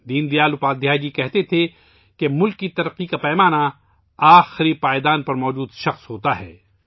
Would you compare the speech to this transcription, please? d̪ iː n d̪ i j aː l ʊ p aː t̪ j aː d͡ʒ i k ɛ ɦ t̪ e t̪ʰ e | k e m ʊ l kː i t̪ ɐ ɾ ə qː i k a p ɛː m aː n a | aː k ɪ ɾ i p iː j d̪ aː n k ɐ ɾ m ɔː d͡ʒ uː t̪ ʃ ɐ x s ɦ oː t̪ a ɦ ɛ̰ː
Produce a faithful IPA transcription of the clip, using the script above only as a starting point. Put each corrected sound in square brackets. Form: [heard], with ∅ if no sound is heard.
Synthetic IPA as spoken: d̪ iː n d̪ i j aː l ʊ p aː [d̪] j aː d͡ʒ i k ɛ ɦ t̪ e t̪ʰ e | k e m ʊ l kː i t̪ ɐ ɾ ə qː i k a p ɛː m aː n a | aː [x] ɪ ɾ i p [aː] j d̪ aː n [p] ɐ ɾ m ɔː d͡ʒ uː [d̪] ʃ ɐ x s ɦ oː t̪ a ɦ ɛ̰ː